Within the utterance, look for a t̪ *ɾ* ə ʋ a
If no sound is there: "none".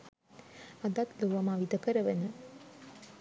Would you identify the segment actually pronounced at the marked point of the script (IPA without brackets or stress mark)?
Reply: l